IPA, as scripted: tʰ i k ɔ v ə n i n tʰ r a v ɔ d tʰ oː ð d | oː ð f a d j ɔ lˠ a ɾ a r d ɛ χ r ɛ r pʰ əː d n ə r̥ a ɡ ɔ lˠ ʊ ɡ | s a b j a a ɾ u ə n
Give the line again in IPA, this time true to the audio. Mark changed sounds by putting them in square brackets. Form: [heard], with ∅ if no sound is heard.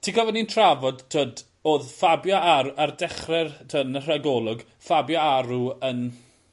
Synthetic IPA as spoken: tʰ i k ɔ v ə n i n tʰ r a v ɔ d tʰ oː [∅] d | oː ð f a [b] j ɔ [∅] a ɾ a r d ɛ χ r ɛ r [tʰ] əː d n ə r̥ a ɡ ɔ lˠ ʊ ɡ | [f] a b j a a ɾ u ə n

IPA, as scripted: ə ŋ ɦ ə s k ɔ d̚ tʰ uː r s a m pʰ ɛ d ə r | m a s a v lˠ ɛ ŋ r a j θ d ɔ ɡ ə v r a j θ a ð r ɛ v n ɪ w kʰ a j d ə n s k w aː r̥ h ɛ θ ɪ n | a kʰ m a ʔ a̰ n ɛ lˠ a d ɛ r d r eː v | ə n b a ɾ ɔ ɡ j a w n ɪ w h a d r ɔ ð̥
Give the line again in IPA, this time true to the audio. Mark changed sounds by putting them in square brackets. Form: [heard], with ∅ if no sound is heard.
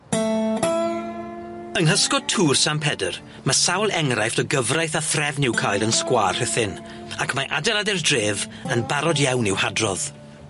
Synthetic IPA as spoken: ə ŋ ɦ ə s k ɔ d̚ tʰ uː r s a m pʰ ɛ d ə r | m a s a [w] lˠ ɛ ŋ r a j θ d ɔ ɡ ə v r a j θ a [θ] r ɛ v n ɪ w kʰ a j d ə n s k w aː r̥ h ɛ θ ɪ n | a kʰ m a ʔ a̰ [d] ɛ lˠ a d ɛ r d r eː v | ə n b a ɾ ɔ [d] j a w n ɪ w h a d r ɔ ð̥

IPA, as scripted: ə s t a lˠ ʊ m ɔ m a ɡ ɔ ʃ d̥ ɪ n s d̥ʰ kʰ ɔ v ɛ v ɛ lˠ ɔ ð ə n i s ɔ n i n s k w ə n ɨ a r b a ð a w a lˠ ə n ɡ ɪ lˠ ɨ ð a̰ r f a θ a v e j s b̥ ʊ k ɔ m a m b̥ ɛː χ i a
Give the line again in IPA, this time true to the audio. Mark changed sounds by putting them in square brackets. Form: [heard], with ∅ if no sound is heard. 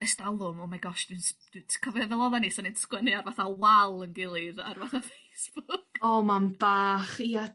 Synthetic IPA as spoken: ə s t a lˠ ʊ m ɔ m a ɡ ɔ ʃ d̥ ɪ n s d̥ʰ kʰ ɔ v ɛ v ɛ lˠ ɔ ð [a] n i s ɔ n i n s k w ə n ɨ a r [v] a [θ] a w a lˠ ə n ɡ ɪ lˠ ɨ ð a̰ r [v] a θ a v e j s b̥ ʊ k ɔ m a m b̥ [aː] χ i a

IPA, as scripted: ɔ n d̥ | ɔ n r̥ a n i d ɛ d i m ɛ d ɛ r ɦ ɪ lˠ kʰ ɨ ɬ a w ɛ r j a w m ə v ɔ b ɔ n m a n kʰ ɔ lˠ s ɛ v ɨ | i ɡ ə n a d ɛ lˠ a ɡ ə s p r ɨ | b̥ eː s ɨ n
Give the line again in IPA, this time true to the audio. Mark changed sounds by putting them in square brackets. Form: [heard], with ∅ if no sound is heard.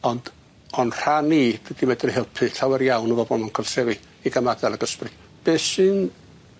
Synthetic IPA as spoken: ɔ n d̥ | ɔ n r̥ a n i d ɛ d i m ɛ d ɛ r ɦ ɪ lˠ [pʰ] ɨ ɬ a w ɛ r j a w [n] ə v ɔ b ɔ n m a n kʰ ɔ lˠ s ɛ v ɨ | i ɡ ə [m] a d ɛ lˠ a ɡ ə s p r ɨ | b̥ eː s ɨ n

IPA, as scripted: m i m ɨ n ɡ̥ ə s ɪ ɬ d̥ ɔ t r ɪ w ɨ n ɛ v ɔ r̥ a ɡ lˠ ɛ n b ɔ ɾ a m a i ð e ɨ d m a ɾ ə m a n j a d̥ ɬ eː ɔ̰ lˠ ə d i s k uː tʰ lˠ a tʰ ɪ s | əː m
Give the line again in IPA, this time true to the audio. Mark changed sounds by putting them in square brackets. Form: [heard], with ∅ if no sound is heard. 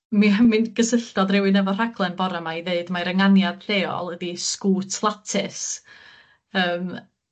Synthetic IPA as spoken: m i m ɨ n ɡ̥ ə s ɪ ɬ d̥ ɔ [d] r ɪ w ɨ n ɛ v ɔ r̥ a ɡ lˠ ɛ n b ɔ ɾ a m a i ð e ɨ d m a ɾ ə [ŋ] a n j a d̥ ɬ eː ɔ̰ lˠ ə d i s k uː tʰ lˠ a tʰ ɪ s | əː m

